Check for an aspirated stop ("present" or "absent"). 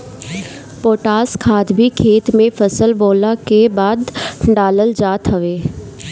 present